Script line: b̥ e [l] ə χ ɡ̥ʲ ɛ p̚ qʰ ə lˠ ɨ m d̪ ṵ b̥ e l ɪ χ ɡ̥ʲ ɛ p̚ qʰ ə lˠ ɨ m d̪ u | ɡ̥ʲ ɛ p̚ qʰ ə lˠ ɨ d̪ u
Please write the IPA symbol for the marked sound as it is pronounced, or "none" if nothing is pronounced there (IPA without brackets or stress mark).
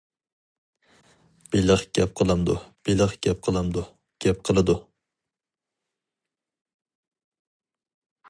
l